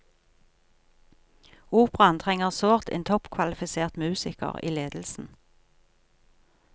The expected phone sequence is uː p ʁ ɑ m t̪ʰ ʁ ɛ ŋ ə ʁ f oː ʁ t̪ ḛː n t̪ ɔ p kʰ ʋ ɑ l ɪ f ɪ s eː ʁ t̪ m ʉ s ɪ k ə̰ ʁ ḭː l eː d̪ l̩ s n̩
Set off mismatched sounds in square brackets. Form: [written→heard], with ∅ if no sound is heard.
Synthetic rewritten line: uː p ʁ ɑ [m→n] t̪ʰ ʁ ɛ ŋ ə ʁ [f→s] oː ʁ t̪ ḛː n [t̪→t̪ʰ] ɔ p kʰ ʋ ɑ l ɪ f ɪ s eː ʁ t̪ m [ʉ→ʉː] s ɪ k ə̰ ʁ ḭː l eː d̪ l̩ s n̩